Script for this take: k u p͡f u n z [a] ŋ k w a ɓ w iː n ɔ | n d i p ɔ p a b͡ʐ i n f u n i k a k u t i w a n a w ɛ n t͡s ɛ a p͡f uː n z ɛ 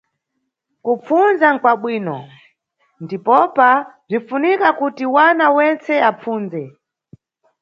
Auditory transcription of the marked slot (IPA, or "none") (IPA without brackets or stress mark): a